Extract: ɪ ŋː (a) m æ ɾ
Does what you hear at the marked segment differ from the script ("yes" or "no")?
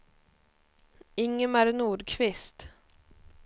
yes